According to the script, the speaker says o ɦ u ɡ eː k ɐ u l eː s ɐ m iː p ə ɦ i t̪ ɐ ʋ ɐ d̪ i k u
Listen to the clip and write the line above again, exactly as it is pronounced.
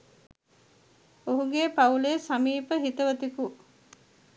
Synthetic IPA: o ɦ u ɡ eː p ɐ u l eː s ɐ m iː p ə ɦ i t̪ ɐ ʋ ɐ t̪ i k u